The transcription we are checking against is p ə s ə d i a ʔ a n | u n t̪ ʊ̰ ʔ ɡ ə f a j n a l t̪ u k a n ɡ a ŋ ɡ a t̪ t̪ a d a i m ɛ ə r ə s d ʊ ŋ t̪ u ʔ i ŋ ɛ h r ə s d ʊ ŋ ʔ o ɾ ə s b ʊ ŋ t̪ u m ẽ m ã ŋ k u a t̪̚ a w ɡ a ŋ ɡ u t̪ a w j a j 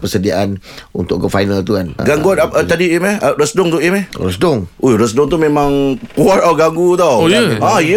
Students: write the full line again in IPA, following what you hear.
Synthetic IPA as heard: p ə s ə d i a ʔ a n | u n t̪ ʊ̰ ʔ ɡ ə f a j n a l t̪ u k a n ɡ a ŋ ɡ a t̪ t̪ a d i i m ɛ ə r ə s d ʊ ŋ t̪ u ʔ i m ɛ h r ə s d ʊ ŋ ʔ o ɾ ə s d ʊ ŋ t̪ u m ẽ m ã ŋ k u a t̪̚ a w ɡ a ŋ ɡ u t̪ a w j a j